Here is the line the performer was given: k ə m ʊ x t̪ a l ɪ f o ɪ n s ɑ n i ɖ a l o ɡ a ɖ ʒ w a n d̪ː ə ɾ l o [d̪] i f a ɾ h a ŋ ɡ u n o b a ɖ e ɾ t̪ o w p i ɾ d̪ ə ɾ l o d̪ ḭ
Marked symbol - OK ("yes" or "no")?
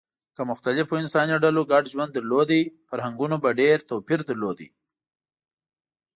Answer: yes